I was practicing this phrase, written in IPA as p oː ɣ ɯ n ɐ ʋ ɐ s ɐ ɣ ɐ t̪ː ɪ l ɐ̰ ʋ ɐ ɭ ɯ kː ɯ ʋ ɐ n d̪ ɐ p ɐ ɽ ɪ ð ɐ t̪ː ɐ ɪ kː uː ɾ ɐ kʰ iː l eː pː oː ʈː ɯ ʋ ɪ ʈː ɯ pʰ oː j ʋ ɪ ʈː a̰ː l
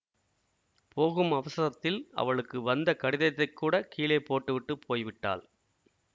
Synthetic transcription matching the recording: p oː ɣ ɯ m ɐ ʋ ɐ s ɐ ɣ ɐ t̪ː ɪ l ɐ̰ ʋ ɐ ɭ ɯ kː ɯ ʋ ɐ n d̪ ɐ k ɐ ɽ ɪ ð ɐ t̪ː ɐ ɪ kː uː ɽ ɐ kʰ iː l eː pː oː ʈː ɯ ʋ ɪ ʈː ɯ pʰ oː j ʋ ɪ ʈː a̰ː l